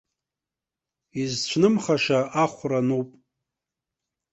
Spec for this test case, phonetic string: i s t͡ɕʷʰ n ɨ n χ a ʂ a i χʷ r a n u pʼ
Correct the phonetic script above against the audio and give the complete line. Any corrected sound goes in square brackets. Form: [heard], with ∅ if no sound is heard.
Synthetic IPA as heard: i [z] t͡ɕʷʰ n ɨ [m] χ a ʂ a [a] χʷ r a n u pʼ